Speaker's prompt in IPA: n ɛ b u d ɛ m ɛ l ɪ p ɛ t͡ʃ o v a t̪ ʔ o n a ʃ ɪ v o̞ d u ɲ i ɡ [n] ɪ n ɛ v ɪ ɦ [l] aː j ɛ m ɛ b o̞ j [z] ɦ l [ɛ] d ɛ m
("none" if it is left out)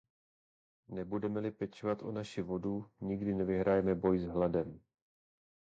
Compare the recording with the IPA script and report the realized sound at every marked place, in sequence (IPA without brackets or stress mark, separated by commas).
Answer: d, ɾ, z, a